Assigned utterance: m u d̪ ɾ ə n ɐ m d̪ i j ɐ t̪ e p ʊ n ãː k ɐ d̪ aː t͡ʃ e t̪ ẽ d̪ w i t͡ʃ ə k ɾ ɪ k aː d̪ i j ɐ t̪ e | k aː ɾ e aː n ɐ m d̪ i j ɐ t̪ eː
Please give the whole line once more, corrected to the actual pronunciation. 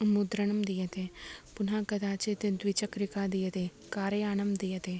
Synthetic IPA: m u d̪ ɾ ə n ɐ m d̪ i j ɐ t̪ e p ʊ n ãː k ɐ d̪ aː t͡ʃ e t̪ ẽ d̪ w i t͡ʃ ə k ɾ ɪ k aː d̪ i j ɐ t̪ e | k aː ɾ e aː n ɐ m d̪ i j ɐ t̪ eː